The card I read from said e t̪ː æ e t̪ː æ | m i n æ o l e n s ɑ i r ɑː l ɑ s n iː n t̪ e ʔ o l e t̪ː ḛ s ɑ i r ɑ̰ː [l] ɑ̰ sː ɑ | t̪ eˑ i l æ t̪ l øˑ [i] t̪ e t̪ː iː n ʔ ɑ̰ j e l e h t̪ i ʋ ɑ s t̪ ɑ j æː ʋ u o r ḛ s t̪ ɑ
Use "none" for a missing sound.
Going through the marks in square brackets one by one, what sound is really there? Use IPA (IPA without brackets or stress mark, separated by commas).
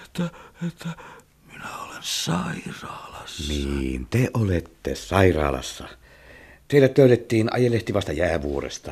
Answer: l, y